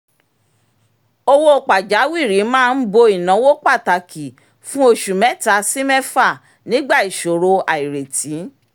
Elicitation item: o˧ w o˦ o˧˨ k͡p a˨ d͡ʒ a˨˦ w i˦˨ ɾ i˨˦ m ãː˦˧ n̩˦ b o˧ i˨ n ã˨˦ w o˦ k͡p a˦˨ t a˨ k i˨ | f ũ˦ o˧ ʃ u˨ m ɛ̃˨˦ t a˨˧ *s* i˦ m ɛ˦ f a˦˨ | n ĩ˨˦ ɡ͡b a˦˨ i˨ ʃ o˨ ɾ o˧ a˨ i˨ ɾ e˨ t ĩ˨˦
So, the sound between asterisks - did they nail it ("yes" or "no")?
yes